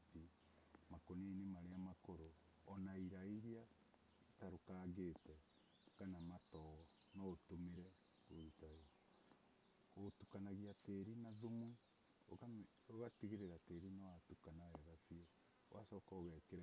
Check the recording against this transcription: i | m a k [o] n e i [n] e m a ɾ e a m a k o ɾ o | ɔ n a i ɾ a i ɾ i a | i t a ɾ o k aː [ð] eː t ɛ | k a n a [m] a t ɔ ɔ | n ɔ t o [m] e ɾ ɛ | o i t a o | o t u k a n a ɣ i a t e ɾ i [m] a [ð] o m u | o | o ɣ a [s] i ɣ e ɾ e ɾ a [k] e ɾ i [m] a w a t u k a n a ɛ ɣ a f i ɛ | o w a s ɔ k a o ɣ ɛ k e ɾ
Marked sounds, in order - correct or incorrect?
correct, correct, incorrect, correct, correct, incorrect, correct, incorrect, incorrect, incorrect

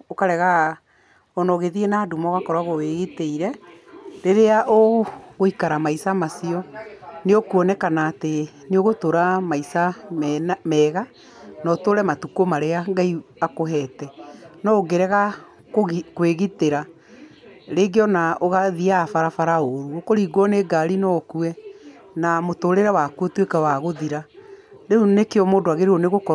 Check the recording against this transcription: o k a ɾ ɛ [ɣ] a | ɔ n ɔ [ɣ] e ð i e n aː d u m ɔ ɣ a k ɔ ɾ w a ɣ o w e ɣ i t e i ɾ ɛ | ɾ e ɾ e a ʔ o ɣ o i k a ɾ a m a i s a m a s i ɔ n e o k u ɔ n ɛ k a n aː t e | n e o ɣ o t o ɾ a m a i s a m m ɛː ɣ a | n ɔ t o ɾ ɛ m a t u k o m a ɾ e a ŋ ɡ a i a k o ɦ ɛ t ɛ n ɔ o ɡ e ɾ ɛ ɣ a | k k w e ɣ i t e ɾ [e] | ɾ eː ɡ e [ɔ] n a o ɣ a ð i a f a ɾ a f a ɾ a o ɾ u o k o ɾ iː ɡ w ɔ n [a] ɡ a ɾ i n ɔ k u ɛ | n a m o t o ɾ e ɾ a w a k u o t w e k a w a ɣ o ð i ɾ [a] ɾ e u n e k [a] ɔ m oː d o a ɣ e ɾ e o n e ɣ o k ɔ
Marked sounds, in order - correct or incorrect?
correct, correct, incorrect, correct, incorrect, correct, incorrect

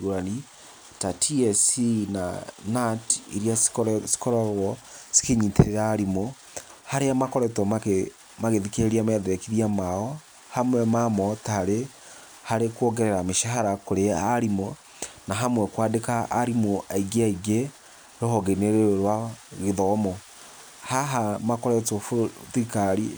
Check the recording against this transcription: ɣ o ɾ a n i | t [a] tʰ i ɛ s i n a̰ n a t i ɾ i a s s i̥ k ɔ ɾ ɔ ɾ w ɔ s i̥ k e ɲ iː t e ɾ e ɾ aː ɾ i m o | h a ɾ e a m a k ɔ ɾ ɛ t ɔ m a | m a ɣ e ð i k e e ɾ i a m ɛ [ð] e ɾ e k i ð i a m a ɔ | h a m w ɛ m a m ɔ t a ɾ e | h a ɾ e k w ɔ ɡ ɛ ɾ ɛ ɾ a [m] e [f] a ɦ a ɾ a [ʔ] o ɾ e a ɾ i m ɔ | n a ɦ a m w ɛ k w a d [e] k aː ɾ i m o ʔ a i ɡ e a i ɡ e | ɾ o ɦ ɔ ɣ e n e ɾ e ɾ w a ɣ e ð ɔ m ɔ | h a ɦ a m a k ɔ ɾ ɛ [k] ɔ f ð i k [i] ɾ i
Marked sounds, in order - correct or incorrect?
correct, correct, correct, incorrect, incorrect, correct, incorrect, incorrect

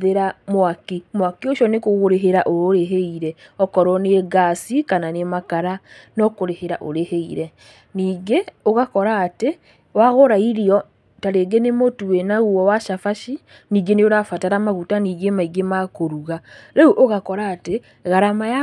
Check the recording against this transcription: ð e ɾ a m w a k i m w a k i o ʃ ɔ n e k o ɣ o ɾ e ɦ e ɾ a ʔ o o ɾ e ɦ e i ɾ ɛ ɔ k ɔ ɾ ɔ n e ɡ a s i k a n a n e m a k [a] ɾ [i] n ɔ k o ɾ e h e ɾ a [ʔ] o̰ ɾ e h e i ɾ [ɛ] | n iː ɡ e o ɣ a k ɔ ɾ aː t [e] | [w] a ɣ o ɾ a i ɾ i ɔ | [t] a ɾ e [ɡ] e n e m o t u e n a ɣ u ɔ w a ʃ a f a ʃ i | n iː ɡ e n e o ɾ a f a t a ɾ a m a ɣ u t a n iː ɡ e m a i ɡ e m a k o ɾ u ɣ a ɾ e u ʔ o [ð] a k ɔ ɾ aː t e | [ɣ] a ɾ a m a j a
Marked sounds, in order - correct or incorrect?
correct, incorrect, correct, correct, correct, correct, correct, correct, incorrect, correct

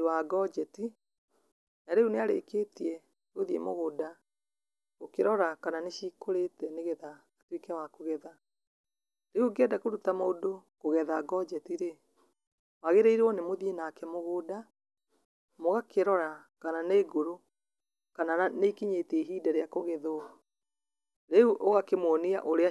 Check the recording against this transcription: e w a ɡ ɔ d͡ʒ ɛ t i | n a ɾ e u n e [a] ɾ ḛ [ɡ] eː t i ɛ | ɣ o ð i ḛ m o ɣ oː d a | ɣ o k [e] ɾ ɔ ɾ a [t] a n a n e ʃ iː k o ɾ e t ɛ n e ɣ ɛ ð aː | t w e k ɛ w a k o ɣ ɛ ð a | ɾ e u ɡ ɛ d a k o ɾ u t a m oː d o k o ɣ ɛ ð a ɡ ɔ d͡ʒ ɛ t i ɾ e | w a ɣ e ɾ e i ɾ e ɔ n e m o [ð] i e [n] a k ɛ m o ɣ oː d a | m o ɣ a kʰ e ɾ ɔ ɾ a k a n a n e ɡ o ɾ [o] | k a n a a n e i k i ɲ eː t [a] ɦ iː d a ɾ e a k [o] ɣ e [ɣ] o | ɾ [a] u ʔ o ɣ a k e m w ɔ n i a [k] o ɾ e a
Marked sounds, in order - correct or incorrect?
correct, incorrect, correct, incorrect, correct, correct, correct, incorrect, correct, incorrect, incorrect, incorrect

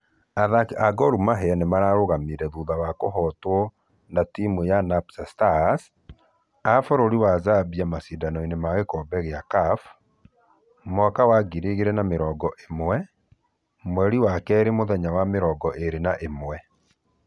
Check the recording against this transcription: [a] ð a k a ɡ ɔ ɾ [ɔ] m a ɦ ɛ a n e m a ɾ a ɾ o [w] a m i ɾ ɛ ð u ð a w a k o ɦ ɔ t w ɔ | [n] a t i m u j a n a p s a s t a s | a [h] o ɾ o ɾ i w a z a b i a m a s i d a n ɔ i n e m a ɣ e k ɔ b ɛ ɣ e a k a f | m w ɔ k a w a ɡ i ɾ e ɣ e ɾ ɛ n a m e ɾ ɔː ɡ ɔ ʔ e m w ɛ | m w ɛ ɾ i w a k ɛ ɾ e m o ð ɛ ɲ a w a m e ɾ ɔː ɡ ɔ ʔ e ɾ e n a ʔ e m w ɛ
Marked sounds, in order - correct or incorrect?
correct, incorrect, incorrect, correct, incorrect

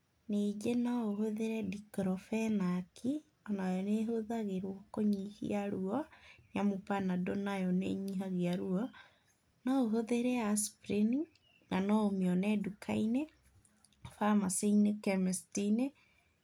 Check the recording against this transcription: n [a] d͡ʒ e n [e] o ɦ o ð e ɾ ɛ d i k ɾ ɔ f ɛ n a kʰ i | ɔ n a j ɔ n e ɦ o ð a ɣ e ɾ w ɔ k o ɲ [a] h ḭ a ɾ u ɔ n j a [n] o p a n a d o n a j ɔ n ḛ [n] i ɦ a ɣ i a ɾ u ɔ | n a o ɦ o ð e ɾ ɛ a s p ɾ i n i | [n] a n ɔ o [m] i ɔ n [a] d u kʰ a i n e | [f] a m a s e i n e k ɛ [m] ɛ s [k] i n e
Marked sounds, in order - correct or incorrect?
incorrect, incorrect, incorrect, incorrect, incorrect, correct, correct, incorrect, correct, correct, incorrect

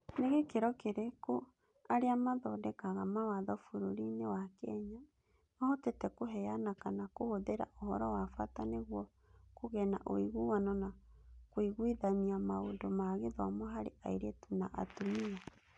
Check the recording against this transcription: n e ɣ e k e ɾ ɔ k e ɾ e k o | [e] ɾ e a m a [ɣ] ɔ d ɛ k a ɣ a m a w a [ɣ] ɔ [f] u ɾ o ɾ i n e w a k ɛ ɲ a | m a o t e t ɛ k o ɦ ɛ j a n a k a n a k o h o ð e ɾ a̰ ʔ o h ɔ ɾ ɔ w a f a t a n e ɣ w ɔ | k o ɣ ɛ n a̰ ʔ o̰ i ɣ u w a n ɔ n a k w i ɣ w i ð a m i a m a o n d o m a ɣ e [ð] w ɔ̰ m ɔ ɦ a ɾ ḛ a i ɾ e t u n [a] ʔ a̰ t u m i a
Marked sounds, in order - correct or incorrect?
incorrect, incorrect, incorrect, correct, correct, correct

